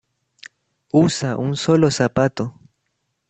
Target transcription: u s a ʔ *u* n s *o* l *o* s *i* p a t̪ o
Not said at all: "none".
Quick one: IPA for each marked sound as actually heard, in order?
u, o, o, a

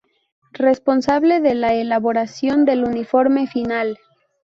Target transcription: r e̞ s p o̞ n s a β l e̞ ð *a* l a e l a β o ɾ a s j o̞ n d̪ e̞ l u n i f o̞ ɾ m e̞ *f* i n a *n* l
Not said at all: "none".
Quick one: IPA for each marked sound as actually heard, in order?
e, f, none

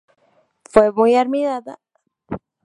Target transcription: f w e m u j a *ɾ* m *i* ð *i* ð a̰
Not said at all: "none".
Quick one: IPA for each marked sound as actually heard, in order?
ɾ, i, a

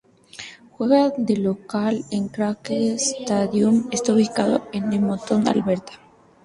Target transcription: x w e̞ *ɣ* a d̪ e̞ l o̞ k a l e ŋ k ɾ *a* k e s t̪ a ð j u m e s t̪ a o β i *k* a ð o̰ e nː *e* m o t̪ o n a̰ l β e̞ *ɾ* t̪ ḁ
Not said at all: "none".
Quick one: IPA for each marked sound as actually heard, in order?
ɣ, a, k, e, ɾ

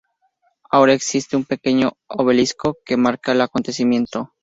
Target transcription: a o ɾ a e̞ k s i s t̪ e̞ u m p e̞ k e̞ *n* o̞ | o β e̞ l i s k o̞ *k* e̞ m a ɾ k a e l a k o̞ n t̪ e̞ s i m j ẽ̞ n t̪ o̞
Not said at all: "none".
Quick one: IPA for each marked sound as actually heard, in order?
ɲ, k

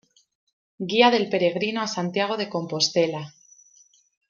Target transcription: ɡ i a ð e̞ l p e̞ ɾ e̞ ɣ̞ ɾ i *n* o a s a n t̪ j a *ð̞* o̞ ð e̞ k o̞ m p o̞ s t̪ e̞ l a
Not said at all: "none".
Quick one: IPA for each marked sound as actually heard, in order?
n, ɣ̞

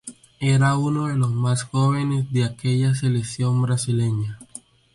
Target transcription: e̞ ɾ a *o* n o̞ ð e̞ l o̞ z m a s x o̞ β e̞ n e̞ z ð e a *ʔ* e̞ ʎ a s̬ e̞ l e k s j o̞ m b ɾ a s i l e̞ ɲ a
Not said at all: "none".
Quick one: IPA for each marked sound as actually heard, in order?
u, k

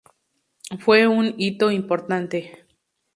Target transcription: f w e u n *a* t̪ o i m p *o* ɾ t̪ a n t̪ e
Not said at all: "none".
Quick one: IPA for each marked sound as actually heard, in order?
i, o

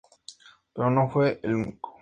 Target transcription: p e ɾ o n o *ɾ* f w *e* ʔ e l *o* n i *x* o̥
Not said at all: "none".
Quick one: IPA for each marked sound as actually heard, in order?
none, e, u, k

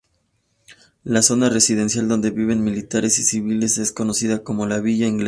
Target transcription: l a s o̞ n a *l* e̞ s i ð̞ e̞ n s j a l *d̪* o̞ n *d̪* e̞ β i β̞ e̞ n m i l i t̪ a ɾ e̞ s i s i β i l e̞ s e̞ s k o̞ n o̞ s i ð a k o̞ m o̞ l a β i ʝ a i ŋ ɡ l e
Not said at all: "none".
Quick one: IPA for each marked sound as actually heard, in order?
r, d̪, d̪

